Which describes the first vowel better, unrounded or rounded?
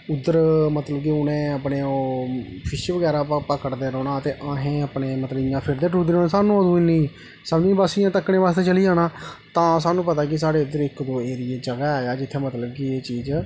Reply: rounded